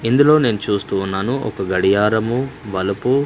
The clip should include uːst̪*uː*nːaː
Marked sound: correct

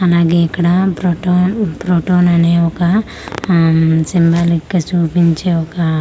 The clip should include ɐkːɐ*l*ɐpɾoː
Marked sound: incorrect: ɽ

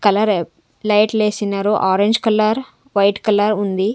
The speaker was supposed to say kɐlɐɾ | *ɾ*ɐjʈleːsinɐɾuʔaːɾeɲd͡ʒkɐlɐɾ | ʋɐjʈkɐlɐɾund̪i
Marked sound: incorrect: l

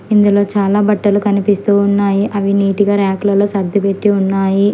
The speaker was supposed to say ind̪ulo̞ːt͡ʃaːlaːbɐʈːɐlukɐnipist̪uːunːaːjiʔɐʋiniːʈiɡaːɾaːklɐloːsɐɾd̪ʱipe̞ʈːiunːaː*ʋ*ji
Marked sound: incorrect: none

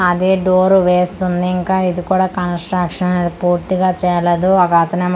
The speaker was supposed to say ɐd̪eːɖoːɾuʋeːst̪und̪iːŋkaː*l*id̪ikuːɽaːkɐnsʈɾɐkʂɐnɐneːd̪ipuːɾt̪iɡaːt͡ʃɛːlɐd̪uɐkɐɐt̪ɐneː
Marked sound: incorrect: none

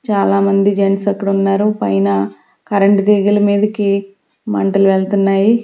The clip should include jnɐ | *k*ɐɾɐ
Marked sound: correct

